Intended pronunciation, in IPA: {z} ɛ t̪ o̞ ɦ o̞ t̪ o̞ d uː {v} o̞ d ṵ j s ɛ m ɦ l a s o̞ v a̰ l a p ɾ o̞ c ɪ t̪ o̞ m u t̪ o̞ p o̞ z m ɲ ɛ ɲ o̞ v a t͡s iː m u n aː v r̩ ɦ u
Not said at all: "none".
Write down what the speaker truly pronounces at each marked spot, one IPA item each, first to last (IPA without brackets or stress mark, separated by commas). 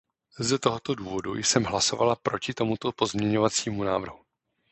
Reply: z, v